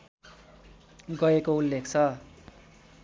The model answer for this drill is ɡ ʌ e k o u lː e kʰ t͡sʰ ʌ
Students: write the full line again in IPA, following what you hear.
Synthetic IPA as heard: ɡ ʌ e k o u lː e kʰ t͡sʰ ʌ